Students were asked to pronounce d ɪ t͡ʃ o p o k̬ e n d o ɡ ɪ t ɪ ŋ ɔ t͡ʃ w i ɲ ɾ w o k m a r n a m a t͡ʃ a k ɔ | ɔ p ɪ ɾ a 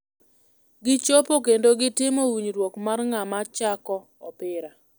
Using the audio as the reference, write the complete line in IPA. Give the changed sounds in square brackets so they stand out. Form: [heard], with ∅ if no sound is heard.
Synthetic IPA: [ɡ] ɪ t͡ʃ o p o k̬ e n d o ɡ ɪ t ɪ [m] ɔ [∅] w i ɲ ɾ w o k m a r [ŋ] a m a t͡ʃ a k ɔ | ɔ p ɪ ɾ a